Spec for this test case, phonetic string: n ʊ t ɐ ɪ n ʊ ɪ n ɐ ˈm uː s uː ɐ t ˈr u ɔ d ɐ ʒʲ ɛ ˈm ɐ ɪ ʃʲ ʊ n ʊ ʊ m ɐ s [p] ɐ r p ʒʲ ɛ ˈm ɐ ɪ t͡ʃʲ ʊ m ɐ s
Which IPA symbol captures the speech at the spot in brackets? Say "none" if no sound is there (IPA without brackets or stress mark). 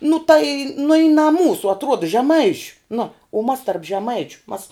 t